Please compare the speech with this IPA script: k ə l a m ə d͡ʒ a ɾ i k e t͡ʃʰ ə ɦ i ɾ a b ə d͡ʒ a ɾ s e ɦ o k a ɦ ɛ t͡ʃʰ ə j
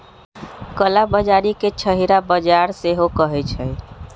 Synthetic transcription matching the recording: k ə l a b ə d͡ʒ a ɾ i k e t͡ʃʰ ə ɦ i ɾ a b ə d͡ʒ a ɾ s e ɦ o k ə ɦ ɛ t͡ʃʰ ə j